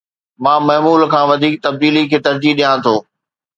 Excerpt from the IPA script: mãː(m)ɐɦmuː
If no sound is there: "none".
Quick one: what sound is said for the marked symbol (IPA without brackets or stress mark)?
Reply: m